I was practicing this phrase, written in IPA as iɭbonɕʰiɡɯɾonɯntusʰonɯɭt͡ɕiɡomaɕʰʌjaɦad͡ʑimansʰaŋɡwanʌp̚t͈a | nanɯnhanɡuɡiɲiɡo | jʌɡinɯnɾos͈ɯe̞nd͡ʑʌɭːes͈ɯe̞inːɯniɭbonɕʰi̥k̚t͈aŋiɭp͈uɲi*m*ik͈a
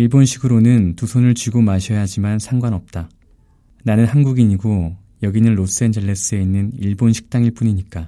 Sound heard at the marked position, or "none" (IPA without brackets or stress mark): ɲ